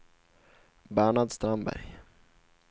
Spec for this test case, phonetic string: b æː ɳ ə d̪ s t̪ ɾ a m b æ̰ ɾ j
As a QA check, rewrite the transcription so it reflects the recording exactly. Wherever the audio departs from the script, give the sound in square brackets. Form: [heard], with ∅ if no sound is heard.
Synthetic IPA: b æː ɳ [a] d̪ s t̪ ɾ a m b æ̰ ɾ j